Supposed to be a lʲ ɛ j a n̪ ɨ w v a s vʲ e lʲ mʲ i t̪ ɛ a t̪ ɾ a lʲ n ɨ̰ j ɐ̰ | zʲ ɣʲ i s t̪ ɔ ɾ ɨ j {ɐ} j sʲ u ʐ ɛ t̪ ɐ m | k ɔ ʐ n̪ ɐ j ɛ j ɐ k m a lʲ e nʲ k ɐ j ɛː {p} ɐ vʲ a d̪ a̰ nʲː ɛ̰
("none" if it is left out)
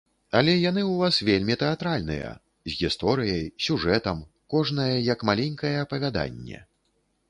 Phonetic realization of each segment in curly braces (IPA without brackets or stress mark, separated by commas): ɐ, p